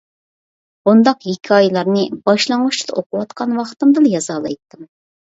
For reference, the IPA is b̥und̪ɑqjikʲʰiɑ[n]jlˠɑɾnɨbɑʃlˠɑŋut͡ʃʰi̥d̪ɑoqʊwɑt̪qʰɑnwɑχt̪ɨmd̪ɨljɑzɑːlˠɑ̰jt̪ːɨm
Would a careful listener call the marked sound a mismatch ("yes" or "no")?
yes